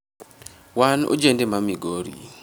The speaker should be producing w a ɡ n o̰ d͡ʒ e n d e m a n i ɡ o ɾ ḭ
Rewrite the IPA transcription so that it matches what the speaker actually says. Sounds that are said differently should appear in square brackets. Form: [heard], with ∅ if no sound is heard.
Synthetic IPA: w a [∅] n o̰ d͡ʒ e n d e m a [m] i ɡ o ɾ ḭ